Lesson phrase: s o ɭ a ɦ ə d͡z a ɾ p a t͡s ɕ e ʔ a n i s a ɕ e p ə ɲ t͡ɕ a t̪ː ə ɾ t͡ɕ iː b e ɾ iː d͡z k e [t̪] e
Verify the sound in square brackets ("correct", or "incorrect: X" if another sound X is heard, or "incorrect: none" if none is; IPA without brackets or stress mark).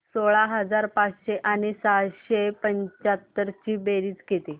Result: correct